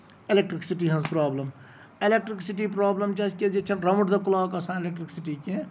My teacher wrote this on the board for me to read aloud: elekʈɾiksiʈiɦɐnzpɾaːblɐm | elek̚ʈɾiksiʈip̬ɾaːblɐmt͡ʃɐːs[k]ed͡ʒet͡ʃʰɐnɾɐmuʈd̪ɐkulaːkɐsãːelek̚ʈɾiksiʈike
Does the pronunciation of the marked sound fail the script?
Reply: no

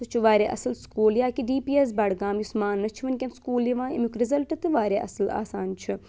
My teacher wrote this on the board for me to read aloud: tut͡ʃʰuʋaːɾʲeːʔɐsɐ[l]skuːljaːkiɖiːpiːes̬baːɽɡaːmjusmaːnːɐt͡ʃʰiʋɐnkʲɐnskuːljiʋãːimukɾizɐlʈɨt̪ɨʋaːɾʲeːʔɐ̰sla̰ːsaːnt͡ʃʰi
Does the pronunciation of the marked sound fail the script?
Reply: no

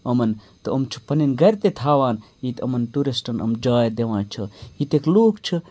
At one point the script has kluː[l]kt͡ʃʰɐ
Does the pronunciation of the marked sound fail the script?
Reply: yes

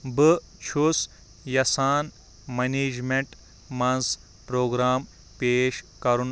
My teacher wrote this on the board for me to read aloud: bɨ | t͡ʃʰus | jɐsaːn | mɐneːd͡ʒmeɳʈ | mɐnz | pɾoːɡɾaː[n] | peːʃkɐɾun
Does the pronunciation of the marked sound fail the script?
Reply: yes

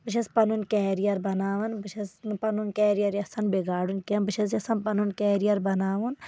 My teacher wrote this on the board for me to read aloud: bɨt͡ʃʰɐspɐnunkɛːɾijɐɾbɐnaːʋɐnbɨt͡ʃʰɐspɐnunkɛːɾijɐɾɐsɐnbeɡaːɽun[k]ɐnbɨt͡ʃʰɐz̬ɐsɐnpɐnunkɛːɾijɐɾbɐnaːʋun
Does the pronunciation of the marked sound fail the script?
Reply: no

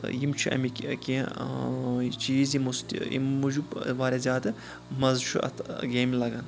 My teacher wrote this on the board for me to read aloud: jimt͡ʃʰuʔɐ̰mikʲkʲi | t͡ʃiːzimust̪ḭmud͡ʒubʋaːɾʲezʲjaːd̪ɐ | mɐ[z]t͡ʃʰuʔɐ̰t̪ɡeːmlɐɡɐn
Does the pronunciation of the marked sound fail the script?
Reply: no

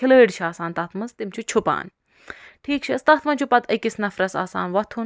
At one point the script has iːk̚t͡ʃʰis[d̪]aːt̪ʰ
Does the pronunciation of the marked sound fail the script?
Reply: yes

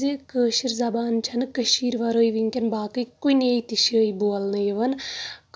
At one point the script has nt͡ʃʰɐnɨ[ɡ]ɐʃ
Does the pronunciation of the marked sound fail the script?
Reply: yes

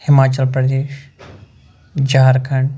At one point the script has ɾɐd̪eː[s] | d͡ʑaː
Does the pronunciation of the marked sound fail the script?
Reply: yes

